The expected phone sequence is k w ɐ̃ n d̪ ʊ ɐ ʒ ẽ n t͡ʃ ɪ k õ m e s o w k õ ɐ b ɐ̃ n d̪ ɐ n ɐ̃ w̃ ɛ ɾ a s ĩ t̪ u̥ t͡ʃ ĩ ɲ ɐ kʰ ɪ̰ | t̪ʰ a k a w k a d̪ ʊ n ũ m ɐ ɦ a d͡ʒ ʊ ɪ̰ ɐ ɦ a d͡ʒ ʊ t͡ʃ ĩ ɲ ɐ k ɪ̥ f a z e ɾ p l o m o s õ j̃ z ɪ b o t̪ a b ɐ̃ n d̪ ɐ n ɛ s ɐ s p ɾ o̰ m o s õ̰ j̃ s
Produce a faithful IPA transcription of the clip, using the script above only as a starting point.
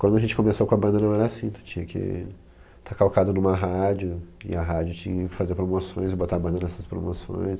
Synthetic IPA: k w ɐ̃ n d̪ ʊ ɐ ʒ ẽ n t͡ʃ ɪ k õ m e s o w k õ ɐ b ɐ̃ n d̪ ɐ n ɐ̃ w̃ ɛ ɾ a s ĩ t̪ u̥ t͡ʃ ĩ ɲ ɐ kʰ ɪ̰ | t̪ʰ a k a w k a d̪ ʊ n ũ m ɐ ɦ a d͡ʒ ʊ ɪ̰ ɐ ɦ a d͡ʒ ʊ t͡ʃ ĩ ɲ ɐ k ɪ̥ f a z e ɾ p ɾ o m o s õ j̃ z ɪ b o t̪ a b ɐ̃ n d̪ ɐ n ɛ s ɐ s p ɾ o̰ m o s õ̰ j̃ s